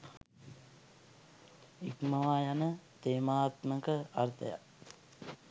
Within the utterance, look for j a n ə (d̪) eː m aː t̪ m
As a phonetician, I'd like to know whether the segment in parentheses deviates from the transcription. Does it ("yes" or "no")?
yes